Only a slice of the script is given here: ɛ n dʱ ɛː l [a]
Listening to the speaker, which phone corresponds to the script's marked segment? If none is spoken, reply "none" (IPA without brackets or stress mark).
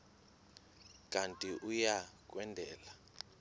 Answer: a